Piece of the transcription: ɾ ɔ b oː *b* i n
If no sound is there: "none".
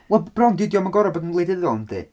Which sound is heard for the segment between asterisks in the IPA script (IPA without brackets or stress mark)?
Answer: d